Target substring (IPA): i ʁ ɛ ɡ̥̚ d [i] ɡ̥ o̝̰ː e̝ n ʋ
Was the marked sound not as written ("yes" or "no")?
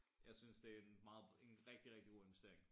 no